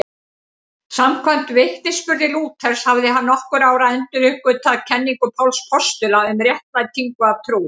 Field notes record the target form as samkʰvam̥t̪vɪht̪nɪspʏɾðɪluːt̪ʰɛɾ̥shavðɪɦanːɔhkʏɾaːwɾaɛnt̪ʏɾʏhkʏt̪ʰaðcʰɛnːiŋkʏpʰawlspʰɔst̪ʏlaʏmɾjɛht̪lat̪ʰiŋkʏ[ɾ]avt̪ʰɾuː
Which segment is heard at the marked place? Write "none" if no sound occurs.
none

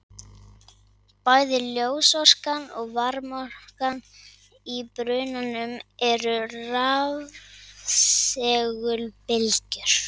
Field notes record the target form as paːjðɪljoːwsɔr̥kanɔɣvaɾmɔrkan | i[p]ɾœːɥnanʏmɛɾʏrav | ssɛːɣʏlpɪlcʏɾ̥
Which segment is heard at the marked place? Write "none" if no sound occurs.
p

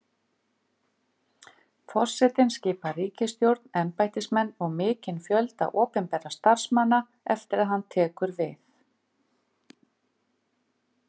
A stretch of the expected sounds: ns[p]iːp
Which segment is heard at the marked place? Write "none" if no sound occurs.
c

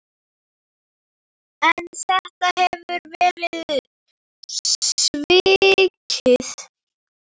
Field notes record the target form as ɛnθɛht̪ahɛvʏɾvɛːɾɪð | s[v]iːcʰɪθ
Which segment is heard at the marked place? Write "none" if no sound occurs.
v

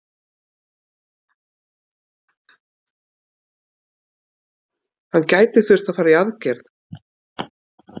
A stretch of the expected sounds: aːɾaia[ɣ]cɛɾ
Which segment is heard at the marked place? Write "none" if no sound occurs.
ð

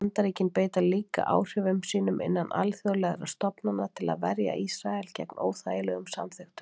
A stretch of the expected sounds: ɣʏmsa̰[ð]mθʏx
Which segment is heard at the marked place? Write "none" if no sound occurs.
none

